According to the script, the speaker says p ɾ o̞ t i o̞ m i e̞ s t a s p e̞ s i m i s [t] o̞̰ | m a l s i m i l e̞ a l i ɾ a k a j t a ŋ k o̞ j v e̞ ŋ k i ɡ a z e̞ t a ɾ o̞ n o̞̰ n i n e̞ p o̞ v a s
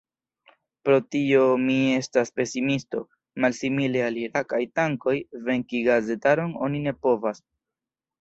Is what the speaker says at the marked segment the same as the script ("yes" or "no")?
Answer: yes